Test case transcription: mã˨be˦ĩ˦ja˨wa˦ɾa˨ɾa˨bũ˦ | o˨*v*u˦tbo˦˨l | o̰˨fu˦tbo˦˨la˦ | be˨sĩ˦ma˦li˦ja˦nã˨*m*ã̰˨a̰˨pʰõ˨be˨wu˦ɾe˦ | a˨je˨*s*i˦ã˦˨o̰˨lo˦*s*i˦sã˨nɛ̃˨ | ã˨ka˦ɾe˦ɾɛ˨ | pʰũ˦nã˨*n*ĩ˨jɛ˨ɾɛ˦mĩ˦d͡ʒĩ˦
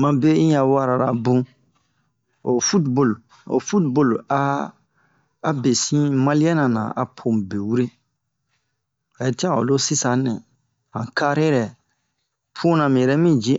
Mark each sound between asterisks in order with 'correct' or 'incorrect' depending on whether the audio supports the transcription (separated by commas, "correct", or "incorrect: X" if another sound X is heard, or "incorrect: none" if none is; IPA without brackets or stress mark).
incorrect: f, incorrect: n, incorrect: t, correct, incorrect: m